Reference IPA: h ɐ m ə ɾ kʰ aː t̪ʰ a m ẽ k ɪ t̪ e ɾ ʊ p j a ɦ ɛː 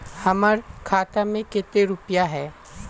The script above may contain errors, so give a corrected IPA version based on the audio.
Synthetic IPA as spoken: h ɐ m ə ɾ kʰ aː t̪ a m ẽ k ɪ t̪ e ɾ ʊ p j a ɦ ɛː

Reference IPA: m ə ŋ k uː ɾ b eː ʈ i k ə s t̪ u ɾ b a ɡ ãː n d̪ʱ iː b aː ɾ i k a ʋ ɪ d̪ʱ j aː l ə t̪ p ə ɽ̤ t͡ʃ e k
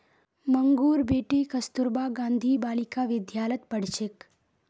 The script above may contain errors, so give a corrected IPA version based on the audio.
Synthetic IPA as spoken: m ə ŋ ɡ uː ɾ b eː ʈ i k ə s t̪ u ɾ b a ɡ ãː n d̪ʱ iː b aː l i k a ʋ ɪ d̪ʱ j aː l ə t̪ p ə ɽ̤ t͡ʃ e k

